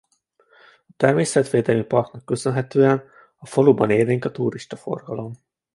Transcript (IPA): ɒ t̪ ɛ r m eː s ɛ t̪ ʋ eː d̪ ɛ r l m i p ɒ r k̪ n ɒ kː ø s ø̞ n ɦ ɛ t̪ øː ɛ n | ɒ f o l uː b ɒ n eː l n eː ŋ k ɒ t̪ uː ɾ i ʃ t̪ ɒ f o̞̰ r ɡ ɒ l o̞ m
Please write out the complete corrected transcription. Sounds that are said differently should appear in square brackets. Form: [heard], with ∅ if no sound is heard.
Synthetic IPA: ɒ t̪ ɛ r m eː s ɛ t̪ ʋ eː d̪ ɛ [∅] l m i p ɒ r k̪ n ɒ kː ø s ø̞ n ɦ ɛ t̪ øː ɛ n | ɒ f o l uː b ɒ n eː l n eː ŋ k ɒ t̪ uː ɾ i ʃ t̪ ɒ f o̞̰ r ɡ ɒ l o̞ m